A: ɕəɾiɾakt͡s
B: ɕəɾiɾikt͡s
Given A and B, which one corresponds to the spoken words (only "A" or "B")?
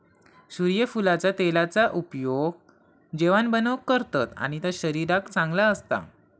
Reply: A